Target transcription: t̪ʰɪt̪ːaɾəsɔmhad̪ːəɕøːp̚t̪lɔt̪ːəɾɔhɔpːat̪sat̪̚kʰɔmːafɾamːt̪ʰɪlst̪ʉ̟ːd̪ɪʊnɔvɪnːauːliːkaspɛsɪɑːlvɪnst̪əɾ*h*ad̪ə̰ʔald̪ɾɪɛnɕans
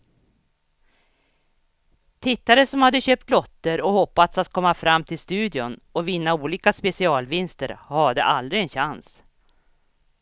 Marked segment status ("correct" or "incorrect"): correct